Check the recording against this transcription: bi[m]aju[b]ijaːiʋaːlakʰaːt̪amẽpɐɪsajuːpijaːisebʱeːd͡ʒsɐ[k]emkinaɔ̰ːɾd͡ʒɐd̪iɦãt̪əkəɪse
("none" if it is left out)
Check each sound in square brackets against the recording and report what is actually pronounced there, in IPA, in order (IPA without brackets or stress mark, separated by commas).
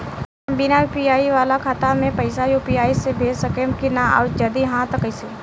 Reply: n, p, k